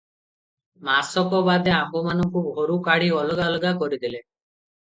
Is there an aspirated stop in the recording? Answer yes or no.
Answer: no